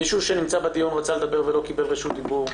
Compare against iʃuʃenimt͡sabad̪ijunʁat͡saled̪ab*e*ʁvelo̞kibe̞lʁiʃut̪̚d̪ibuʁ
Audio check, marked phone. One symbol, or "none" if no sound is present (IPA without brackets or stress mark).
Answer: e